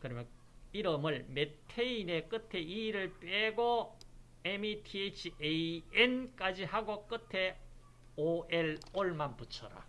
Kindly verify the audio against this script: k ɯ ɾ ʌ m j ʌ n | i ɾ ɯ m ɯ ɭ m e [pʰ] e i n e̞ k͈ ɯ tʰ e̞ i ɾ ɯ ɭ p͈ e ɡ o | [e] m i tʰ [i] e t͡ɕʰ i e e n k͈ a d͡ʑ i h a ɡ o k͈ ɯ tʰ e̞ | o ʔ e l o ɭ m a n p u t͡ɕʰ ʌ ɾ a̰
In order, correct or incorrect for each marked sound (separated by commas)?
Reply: incorrect, correct, correct